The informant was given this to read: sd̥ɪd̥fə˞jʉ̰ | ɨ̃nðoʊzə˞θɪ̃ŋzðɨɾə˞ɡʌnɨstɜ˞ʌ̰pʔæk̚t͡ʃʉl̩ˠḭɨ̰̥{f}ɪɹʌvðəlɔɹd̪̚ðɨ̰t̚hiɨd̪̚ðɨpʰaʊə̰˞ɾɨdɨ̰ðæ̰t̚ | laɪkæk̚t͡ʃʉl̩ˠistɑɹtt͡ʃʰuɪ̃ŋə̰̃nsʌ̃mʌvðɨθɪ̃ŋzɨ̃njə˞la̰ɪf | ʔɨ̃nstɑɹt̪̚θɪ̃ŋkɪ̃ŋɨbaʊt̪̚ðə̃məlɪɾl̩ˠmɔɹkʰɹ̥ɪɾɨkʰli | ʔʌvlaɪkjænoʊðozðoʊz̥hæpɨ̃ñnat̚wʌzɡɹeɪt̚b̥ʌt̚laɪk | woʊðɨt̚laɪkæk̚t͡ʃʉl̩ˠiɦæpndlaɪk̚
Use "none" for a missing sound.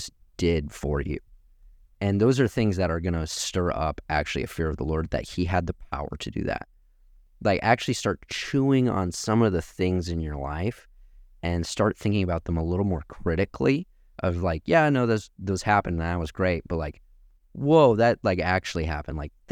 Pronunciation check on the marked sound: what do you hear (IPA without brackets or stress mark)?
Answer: f